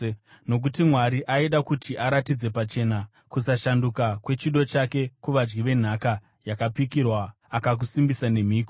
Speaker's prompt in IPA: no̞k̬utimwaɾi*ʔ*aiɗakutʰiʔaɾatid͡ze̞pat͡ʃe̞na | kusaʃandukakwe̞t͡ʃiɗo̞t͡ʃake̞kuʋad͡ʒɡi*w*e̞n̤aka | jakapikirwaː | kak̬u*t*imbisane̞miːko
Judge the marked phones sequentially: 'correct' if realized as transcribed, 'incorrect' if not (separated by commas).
correct, incorrect, incorrect